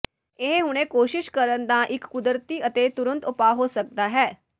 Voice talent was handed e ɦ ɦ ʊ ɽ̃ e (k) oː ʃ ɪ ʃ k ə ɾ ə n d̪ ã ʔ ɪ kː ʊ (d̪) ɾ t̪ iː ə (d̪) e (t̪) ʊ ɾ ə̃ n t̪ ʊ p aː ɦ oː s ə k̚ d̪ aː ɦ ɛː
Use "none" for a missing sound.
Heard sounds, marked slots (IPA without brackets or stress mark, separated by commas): k, d̪, t̪, t̪